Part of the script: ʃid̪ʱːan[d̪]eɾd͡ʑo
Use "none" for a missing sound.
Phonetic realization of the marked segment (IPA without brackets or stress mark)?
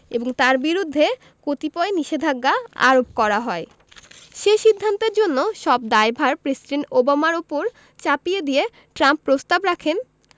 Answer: t̪